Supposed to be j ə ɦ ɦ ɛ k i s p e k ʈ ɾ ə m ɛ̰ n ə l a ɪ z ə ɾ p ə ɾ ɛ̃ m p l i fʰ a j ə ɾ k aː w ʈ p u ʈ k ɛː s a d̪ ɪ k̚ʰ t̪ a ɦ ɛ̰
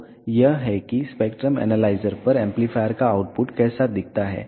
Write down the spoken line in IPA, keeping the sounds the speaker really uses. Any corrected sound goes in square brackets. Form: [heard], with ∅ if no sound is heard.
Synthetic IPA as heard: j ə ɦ ɦ ɛ k i s p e k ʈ ɾ ə m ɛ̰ n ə l a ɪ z ə ɾ p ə ɾ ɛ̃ m p l i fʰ a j ə ɾ k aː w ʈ p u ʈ k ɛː s a d̪ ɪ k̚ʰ t̪ a ɦ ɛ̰